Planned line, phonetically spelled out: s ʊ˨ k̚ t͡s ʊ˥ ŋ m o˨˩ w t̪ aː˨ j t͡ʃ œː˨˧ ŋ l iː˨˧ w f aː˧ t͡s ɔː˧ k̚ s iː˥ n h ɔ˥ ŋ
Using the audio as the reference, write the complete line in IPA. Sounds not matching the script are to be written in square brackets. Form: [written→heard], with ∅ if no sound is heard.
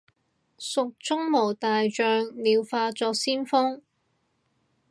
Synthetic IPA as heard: s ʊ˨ k̚ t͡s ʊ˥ ŋ m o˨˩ w t̪ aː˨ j t͡ʃ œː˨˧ ŋ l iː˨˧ w f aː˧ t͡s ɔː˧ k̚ s iː˥ n [h→f] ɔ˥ ŋ